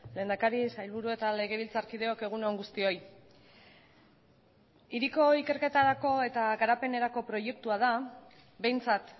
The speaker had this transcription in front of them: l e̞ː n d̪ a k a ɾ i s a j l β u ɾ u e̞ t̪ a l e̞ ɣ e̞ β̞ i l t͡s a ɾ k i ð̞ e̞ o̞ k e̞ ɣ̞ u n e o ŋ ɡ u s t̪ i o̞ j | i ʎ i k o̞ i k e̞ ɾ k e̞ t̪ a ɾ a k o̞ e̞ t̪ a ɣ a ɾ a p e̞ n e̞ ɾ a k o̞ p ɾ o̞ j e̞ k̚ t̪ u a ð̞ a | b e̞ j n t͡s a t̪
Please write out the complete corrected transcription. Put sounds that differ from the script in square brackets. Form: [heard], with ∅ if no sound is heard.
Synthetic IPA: l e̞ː n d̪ a k a ɾ i s a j l β u ɾ u e̞ t̪ a l e̞ ɣ e̞ β̞ i l t͡s a ɾ k i ð̞ e̞ o̞ k e̞ ɣ̞ u n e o ŋ ɡ u s t̪ i o̞ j | i [ɾ] i k o̞ i k e̞ ɾ k e̞ t̪ a ɾ a k o̞ e̞ t̪ a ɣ a ɾ a p e̞ n e̞ ɾ a k o̞ p ɾ o̞ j e̞ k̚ t̪ u a ð̞ a | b e̞ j n t͡s a t̪